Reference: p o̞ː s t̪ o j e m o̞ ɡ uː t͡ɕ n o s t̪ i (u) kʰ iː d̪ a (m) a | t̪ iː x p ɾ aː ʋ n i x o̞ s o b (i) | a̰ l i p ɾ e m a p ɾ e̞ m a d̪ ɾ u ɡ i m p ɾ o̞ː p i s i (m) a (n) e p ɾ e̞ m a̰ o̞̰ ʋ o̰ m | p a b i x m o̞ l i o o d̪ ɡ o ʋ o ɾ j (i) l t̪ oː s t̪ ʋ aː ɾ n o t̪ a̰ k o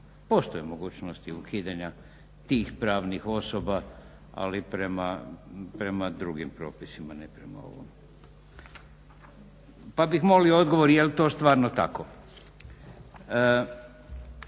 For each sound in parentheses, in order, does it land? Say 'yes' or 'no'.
yes, no, no, yes, yes, no

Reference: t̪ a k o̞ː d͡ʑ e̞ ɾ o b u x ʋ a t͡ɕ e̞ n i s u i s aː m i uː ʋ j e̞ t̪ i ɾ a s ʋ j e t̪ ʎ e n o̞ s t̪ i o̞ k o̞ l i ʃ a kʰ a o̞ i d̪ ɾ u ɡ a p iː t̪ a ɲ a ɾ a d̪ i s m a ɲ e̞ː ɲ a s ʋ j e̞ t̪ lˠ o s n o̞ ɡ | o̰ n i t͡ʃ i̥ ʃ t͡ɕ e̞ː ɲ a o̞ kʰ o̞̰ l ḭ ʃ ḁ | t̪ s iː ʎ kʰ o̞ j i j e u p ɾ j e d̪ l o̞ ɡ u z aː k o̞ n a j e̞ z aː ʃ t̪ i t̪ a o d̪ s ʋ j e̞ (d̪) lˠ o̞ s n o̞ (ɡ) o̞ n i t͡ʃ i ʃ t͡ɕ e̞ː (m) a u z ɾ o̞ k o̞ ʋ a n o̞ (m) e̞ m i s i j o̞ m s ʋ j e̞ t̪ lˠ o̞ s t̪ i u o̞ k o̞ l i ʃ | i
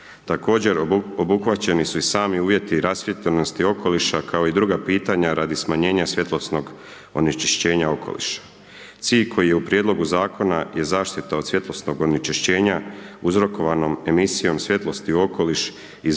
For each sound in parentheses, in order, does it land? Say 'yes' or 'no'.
no, yes, no, yes

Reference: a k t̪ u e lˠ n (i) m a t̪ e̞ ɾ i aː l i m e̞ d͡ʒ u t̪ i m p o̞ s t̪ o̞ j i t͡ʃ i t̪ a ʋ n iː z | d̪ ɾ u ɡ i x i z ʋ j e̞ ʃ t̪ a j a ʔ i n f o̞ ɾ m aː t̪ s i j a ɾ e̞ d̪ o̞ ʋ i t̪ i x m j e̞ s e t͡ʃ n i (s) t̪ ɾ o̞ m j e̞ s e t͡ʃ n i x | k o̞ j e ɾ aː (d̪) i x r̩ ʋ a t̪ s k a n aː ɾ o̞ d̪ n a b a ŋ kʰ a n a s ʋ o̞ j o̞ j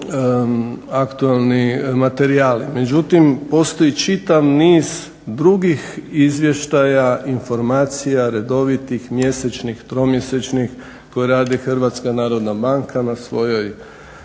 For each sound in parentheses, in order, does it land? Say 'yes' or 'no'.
yes, no, yes

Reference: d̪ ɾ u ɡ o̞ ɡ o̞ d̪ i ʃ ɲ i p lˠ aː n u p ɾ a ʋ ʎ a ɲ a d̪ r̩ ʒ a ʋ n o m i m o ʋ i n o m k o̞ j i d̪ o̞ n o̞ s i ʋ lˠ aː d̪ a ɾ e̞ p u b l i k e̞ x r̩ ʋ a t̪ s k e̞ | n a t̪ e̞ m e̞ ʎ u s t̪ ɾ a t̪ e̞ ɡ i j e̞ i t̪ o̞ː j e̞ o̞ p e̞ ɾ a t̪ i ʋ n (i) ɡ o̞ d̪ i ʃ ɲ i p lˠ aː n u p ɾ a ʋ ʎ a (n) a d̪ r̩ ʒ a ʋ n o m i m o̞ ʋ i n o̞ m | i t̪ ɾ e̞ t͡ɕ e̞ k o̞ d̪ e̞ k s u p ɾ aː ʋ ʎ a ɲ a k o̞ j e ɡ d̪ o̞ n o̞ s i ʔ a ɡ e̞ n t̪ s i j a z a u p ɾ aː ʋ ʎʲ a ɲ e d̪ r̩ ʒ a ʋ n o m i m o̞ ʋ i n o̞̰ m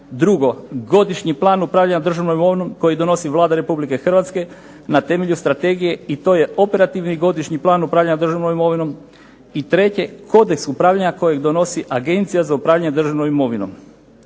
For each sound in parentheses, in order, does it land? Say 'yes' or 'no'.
yes, no

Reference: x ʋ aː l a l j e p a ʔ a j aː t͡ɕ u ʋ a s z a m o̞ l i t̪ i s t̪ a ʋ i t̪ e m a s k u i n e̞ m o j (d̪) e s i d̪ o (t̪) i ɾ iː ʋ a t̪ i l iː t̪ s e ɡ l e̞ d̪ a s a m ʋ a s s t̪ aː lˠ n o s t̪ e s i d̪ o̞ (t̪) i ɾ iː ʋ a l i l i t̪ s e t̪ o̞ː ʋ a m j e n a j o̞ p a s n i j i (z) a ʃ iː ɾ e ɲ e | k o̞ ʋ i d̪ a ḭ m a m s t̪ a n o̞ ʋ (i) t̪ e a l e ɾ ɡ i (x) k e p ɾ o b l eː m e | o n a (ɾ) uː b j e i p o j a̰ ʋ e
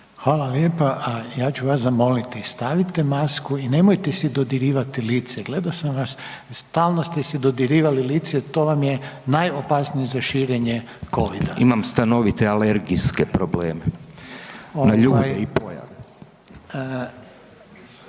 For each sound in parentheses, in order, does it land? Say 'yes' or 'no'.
no, no, no, yes, yes, no, no

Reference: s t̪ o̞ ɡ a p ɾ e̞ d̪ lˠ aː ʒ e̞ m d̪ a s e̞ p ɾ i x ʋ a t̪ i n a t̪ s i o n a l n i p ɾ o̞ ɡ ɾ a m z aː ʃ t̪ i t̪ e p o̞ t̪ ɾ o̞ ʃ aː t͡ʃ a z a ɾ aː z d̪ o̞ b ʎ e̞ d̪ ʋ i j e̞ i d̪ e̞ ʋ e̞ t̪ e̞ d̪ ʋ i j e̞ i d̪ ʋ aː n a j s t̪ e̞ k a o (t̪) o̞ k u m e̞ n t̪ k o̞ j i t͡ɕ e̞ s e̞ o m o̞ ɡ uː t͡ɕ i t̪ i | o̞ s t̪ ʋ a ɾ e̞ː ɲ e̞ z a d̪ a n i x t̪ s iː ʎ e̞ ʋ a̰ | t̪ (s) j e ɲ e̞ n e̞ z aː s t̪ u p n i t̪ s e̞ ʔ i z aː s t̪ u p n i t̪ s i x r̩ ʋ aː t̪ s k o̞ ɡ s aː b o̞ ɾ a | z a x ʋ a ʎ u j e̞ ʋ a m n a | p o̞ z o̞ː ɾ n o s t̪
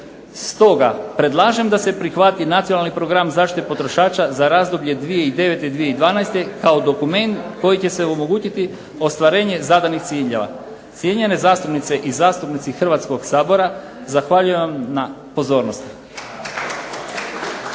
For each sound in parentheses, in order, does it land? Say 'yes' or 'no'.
no, yes

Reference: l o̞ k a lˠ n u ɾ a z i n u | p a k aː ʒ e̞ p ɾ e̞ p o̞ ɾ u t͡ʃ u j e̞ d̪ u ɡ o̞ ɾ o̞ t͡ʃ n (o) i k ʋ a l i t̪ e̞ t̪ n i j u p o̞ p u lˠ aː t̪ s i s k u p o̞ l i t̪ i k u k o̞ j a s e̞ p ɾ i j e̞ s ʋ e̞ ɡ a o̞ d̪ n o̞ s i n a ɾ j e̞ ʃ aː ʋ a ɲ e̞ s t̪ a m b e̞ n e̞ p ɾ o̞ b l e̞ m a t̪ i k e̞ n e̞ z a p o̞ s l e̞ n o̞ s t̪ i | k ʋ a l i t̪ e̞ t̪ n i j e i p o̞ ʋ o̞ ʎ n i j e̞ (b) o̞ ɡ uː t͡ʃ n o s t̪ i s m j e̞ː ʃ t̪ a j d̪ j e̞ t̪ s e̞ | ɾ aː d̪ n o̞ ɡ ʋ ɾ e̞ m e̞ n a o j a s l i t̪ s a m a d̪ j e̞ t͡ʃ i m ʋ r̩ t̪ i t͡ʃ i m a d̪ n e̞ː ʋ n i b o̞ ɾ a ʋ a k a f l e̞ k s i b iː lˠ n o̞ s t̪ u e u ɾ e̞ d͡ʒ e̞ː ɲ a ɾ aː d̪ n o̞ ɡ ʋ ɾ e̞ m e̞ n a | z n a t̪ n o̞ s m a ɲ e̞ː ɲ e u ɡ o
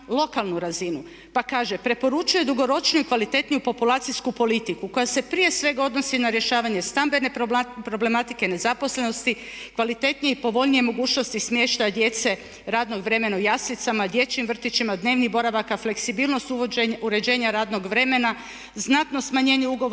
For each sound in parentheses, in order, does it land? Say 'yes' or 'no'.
no, no

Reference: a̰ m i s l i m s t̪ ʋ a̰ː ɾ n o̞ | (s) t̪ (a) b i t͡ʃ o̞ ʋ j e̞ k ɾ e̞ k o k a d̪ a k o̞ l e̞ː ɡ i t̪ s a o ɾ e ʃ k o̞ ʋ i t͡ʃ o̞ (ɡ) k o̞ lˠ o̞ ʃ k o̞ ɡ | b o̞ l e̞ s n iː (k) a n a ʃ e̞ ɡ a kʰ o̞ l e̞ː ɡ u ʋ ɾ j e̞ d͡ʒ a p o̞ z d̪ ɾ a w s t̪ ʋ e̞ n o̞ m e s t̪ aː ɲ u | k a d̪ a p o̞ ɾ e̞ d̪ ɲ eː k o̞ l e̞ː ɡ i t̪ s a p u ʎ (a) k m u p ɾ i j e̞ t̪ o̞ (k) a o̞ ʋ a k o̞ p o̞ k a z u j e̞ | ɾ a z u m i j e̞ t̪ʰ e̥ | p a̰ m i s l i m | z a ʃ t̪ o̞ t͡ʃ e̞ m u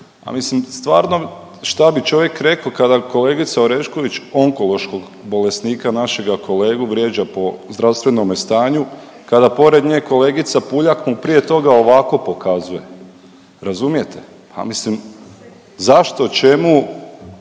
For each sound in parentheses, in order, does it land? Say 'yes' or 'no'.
no, yes, no, yes, yes, no

